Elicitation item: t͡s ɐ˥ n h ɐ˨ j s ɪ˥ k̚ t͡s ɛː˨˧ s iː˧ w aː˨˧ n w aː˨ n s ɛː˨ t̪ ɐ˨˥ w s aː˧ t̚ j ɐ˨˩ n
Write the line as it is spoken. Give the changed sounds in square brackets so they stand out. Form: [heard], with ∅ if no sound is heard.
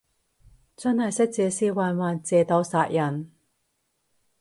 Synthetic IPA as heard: t͡s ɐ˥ n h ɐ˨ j s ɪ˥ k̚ t͡s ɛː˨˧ s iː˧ w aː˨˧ n w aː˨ n [t͡s] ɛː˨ t̪ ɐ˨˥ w s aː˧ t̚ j ɐ˨˩ n